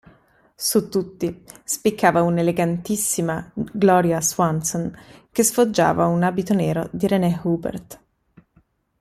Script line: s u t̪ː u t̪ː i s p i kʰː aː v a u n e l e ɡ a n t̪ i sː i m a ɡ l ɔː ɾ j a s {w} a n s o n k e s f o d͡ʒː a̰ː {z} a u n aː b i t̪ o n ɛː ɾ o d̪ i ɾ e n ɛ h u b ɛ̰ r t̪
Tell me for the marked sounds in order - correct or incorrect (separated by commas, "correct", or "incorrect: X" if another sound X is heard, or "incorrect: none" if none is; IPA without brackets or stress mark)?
correct, incorrect: v